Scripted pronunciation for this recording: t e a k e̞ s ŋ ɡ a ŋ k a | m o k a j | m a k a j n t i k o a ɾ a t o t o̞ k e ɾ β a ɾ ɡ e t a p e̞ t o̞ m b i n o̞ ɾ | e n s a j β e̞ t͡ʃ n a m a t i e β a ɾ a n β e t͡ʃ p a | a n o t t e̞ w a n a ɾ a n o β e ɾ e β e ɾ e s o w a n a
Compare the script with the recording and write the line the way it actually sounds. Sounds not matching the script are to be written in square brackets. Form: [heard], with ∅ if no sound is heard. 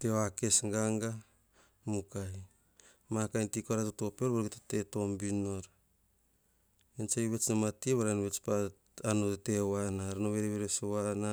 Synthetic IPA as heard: t e a k e̞ s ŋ ɡ a ŋ [ɡ] a | m [u] k a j | m a k a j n t i k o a ɾ a t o t o̞ [p] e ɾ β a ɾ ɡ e t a [t] e̞ t o̞ m b i n o̞ ɾ | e n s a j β e̞ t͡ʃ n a m a t i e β a ɾ a n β e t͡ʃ p a | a n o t t e̞ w a n a ɾ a n o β e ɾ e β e ɾ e s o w a n a